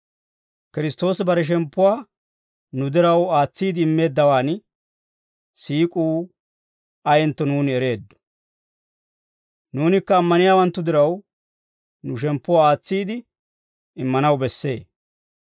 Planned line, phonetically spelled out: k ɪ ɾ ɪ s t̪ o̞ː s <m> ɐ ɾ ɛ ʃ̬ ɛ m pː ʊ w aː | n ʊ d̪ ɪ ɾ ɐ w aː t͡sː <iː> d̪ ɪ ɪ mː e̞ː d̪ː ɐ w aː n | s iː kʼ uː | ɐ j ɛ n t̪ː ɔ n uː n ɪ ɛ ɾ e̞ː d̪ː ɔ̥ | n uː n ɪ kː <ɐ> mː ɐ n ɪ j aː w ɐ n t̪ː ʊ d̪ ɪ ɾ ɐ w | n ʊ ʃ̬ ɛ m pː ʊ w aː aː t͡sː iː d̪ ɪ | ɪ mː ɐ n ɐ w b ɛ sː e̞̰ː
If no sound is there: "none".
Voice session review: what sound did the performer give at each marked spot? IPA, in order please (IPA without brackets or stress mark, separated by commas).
b, iː, ɐː